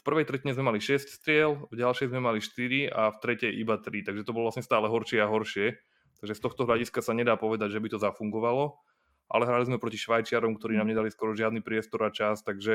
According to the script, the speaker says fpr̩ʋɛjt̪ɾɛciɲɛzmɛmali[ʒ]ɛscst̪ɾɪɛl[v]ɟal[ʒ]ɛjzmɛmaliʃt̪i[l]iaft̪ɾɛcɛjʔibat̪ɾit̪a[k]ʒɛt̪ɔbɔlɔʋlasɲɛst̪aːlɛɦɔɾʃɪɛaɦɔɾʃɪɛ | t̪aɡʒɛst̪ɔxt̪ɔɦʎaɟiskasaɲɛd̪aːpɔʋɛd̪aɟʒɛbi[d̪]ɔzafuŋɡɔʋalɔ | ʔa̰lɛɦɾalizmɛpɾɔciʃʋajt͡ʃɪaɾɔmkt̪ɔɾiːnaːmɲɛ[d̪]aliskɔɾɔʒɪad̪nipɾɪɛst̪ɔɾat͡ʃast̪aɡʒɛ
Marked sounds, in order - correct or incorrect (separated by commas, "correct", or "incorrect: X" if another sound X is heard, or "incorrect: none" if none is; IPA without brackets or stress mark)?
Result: incorrect: ʃ, correct, incorrect: ʃ, incorrect: ɾ, incorrect: ɡ, incorrect: t̪, correct